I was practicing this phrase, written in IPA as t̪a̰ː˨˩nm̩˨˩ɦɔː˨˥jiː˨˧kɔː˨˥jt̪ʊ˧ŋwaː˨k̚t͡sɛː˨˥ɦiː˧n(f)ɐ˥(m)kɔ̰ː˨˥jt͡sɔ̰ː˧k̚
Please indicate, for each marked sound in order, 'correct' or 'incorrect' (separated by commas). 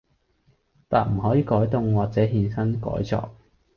incorrect, incorrect